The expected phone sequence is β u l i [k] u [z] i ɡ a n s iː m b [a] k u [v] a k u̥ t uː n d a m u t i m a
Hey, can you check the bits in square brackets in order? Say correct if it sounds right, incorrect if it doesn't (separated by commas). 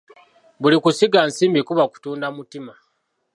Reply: correct, incorrect, incorrect, incorrect